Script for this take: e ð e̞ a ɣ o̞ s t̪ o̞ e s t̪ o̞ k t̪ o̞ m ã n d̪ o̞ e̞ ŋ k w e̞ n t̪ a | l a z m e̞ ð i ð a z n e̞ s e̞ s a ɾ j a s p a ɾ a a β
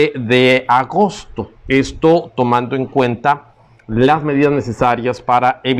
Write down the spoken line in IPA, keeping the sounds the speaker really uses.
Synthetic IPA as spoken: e ð e̞ a ɣ o̞ s t̪ o̞ e s t̪ o̞ t̪ o̞ m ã n d̪ o̞ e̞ ŋ k w e̞ n t̪ a | l a z m e̞ ð i ð a z n e̞ s e̞ s a ɾ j a s p a ɾ a e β